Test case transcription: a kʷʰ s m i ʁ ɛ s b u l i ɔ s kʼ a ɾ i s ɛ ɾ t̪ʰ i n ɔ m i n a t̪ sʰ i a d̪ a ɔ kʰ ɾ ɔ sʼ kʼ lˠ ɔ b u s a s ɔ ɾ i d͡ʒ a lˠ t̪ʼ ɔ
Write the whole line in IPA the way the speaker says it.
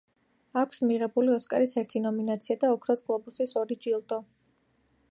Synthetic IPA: a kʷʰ s m i ʁ ɛ b u l i ɔ s kʼ a ɾ i s ɛ ɾ t̪ʰ i n ɔ m i n a t̪ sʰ i a d̪ a ɔ kʰ ɾ ɔ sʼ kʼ lˠ ɔ b u s i s ɔ ɾ i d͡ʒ i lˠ t̪ʼ ɔ